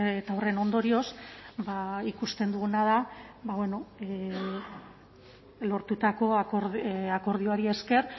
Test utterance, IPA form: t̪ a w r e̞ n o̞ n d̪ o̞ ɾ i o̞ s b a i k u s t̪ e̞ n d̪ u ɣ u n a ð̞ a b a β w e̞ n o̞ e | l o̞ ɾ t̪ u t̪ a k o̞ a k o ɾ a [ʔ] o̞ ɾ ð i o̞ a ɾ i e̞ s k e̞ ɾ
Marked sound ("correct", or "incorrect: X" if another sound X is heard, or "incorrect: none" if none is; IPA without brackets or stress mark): incorrect: k